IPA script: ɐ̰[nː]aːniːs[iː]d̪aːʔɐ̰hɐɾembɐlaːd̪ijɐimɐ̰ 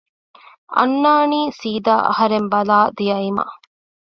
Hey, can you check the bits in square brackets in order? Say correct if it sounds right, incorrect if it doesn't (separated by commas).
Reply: correct, correct